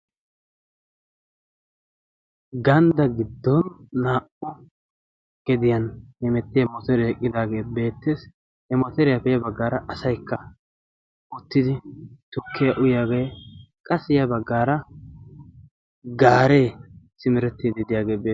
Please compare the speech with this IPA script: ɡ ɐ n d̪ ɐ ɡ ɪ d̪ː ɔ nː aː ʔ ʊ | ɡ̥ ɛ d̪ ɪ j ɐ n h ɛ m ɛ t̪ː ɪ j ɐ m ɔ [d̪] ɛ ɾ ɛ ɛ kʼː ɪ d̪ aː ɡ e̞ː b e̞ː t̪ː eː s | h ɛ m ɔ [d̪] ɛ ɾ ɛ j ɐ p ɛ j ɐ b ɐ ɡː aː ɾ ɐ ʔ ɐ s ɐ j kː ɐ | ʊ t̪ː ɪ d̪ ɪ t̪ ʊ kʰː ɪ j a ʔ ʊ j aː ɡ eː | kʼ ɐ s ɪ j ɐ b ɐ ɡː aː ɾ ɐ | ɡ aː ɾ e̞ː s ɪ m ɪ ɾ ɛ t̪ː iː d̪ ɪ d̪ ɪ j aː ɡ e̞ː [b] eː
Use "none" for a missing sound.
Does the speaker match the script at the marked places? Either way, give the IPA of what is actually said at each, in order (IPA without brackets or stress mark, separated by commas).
t̪, t̪, b